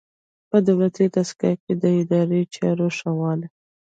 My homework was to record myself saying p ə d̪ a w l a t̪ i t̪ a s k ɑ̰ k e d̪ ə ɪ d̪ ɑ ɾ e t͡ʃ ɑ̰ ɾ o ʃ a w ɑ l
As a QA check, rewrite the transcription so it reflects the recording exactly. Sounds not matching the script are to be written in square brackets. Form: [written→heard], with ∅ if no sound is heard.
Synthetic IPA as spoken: p ə d̪ a w l a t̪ i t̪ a s k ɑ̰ k e d̪ ə ɪ d̪ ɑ ɾ e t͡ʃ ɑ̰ ɾ o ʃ a w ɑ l